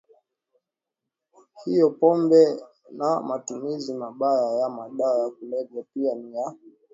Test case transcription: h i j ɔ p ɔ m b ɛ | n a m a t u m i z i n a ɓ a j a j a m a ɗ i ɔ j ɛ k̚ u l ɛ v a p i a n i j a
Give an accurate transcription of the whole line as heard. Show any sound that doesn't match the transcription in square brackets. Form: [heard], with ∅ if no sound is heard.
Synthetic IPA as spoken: h i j ɔ p ɔ m b ɛ | n a m a t u m i z i [m] a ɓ a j a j a m a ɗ [a] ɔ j [a] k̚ u l ɛ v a p i a n i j a